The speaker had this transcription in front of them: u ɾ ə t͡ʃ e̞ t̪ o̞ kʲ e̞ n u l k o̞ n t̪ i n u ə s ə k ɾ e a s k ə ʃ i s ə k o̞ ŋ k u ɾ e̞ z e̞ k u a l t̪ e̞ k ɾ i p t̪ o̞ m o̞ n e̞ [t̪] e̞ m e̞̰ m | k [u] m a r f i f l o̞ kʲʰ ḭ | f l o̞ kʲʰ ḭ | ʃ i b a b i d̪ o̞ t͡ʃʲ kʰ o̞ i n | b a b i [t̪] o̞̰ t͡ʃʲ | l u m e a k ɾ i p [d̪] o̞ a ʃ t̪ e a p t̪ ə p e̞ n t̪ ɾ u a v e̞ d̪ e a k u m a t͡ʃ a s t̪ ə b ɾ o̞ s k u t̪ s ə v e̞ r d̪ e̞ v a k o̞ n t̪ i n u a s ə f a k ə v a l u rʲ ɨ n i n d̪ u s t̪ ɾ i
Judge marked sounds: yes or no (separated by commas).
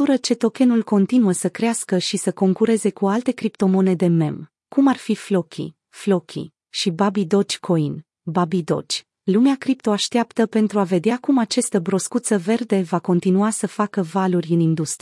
no, yes, no, no